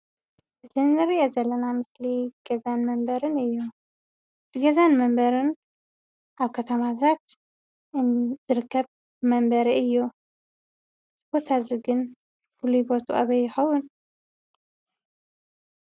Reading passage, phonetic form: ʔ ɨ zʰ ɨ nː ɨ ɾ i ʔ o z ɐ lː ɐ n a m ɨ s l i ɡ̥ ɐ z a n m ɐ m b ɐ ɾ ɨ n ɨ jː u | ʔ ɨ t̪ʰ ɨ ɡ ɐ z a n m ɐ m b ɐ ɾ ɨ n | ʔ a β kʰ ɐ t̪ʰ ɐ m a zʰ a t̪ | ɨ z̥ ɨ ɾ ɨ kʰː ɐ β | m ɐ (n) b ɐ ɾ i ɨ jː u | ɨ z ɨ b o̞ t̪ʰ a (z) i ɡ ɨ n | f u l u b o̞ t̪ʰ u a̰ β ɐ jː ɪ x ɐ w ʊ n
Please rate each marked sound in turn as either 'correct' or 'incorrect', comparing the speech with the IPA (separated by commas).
incorrect, correct